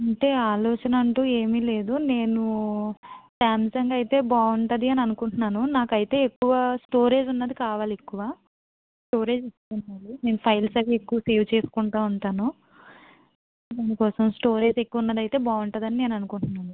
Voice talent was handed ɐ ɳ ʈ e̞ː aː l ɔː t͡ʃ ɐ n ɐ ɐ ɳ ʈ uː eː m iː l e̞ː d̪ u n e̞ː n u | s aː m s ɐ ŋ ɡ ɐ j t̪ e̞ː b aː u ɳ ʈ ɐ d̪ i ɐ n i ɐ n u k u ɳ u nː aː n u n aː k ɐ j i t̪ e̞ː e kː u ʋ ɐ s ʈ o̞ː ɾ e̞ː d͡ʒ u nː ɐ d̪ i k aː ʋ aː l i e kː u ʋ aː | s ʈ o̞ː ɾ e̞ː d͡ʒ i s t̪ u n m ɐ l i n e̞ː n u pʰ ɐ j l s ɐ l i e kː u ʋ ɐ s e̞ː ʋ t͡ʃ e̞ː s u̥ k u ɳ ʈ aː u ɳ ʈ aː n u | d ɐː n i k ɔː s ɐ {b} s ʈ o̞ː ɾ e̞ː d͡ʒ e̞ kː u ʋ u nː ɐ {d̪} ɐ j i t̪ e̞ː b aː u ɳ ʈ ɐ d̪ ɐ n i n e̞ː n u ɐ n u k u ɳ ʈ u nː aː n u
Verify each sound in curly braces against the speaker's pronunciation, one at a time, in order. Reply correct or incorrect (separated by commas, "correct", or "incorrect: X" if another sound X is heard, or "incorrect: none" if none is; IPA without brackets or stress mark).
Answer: incorrect: m, correct